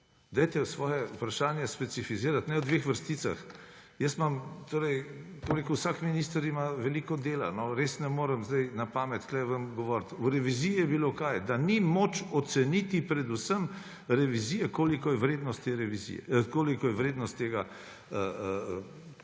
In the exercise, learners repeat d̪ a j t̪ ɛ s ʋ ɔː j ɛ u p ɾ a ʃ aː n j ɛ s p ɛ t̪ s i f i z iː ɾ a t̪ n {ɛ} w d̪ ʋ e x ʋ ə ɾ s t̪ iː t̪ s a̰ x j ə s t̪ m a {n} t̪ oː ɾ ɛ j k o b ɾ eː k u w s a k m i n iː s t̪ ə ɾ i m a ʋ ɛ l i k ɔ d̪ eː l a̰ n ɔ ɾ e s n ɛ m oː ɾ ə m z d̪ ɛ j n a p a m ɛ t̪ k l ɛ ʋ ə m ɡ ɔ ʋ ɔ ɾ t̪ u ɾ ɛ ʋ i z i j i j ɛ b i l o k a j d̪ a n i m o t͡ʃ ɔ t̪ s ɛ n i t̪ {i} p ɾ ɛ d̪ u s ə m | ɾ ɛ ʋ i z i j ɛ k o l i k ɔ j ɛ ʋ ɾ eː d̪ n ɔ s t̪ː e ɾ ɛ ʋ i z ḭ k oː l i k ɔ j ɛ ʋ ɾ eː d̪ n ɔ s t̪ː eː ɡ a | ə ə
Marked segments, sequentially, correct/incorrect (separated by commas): correct, incorrect, correct